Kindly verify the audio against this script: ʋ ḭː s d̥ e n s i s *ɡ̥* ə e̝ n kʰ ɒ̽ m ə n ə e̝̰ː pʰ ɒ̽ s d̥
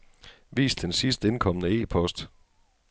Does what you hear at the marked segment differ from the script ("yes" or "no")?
yes